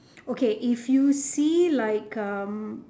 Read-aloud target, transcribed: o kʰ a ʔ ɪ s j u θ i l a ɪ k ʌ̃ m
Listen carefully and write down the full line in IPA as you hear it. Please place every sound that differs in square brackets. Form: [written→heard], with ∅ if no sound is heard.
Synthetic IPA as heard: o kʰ [a→e] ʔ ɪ [s→f] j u [θ→s] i l a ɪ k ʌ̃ m